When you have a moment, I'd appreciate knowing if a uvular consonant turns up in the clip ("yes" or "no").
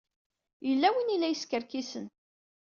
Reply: no